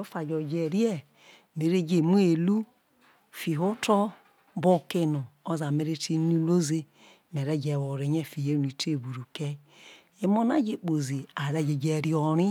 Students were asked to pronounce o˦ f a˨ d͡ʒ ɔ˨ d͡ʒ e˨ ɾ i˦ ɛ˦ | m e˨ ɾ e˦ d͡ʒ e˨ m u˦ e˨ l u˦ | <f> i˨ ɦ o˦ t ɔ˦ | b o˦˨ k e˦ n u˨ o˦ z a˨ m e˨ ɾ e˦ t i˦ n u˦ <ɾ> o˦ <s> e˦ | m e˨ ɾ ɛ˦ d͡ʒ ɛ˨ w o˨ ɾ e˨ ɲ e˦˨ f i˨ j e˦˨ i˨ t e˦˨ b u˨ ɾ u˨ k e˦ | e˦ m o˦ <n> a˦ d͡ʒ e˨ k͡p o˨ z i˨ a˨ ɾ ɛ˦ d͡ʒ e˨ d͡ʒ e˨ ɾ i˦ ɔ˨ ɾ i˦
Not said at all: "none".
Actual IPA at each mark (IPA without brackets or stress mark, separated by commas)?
f, l, z, n